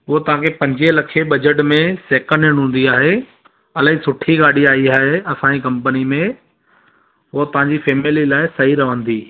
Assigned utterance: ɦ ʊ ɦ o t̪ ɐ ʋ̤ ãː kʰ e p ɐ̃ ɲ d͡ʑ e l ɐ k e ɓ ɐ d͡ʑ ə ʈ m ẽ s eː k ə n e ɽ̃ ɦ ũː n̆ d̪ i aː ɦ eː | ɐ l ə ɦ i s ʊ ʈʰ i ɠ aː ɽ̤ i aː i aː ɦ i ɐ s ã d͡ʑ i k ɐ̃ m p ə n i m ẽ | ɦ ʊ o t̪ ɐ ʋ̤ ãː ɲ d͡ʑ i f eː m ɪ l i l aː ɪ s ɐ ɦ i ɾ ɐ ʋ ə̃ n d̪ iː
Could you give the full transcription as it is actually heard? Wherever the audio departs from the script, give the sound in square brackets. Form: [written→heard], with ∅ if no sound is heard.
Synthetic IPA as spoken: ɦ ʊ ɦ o t̪ ɐ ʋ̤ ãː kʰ e p ɐ̃ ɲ d͡ʑ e l ɐ [k→kʰ] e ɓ ɐ d͡ʑ ə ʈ m ẽ s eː k ə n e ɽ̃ ɦ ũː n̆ d̪ i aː ɦ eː | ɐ l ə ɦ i s ʊ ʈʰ i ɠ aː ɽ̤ i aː i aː ɦ [i→e] ɐ s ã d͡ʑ i k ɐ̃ m p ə n i m ẽ | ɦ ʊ o t̪ ɐ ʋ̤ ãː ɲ d͡ʑ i f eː m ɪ l i l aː ɪ s ɐ ɦ i ɾ ɐ ʋ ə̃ n d̪ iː